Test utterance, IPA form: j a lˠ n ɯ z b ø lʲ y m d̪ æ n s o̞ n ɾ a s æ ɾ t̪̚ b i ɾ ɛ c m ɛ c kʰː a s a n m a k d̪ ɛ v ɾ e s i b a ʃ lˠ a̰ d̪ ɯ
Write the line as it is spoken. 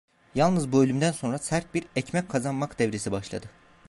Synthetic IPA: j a lˠ n ɯ z b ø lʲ y m d̪ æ n s o̞ n ɾ a s æ ɾ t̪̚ b i ɾ ɛ c m ɛ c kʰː a z a n m a k d̪ ɛ v ɾ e s i b a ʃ lˠ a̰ d̪ ɯ